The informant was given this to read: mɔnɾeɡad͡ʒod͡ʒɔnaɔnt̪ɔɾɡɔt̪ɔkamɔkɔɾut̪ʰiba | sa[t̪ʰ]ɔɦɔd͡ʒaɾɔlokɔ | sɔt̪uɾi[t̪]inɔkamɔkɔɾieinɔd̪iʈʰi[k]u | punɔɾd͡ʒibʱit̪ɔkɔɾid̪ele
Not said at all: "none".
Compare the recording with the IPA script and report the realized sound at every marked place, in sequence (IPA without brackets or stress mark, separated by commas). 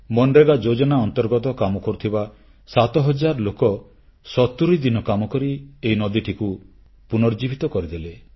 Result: t̪, d̪, k